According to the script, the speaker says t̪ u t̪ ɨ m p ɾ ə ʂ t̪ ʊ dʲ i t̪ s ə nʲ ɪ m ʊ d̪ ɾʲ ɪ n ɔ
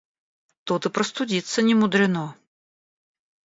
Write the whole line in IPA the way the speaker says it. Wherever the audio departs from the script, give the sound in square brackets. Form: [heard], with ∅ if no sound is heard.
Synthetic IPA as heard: t̪ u t̪ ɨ [∅] p ɾ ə [s] t̪ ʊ dʲ i t̪ s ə nʲ ɪ m ʊ d̪ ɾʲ ɪ n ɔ